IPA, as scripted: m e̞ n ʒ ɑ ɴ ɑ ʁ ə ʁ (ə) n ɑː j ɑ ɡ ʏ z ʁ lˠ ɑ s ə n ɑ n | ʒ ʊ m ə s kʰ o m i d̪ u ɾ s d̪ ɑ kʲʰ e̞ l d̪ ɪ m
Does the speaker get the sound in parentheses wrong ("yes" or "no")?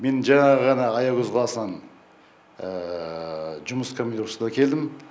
yes